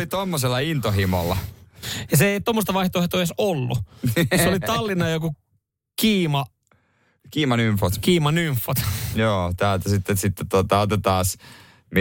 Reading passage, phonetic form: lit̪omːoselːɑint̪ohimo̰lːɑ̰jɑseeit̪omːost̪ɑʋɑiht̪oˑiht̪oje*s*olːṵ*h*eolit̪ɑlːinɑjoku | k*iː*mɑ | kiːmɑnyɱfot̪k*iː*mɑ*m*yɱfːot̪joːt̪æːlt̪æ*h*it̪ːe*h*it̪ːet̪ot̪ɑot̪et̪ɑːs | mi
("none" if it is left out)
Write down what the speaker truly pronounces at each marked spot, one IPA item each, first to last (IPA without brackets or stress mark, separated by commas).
s, s, iː, iː, n, s, s